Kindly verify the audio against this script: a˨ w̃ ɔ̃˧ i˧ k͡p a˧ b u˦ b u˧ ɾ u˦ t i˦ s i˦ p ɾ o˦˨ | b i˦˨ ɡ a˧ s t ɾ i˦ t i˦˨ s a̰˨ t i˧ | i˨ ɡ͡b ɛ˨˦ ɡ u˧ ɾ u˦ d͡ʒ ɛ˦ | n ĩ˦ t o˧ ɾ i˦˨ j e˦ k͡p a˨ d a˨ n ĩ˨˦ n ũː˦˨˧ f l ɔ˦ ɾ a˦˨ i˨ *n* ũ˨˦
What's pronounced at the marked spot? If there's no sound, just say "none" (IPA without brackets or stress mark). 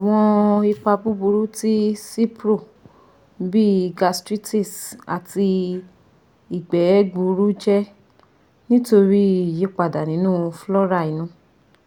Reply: n